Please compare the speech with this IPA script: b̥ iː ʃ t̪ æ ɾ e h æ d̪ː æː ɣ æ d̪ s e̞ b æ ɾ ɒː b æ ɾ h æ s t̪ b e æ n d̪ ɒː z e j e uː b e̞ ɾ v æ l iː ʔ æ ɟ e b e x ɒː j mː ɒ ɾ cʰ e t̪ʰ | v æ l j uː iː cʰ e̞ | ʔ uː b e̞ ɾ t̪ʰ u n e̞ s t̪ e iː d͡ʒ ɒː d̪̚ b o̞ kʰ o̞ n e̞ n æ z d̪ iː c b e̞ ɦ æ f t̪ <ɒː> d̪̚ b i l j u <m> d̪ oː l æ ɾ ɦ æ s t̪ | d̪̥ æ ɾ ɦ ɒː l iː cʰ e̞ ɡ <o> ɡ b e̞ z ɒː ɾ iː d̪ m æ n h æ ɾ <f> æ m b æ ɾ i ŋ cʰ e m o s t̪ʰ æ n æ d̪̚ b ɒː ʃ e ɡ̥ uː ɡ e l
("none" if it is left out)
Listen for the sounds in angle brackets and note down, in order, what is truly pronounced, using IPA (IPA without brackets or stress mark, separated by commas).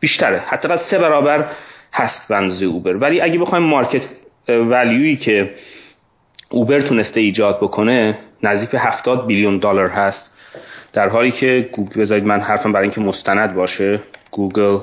ɒː, n, u, f